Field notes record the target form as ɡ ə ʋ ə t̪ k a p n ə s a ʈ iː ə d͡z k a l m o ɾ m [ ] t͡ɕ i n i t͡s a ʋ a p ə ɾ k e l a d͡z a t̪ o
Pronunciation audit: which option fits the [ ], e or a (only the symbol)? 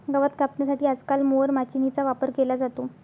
a